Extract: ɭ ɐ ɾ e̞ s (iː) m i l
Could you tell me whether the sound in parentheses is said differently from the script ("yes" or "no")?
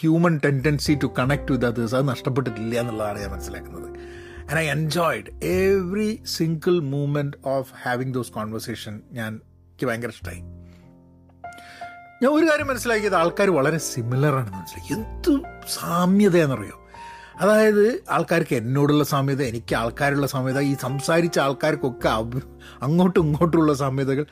yes